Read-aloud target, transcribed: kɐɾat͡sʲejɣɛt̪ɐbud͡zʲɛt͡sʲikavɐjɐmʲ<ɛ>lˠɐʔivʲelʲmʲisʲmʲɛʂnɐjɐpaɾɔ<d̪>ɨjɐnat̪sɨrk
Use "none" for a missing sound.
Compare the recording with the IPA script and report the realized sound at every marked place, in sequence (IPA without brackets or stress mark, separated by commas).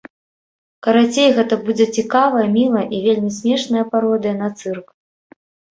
i, d̪